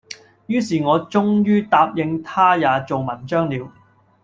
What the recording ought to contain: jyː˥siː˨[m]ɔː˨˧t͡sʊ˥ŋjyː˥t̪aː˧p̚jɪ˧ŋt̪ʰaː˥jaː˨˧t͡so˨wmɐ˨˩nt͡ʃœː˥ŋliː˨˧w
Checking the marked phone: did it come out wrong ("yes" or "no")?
yes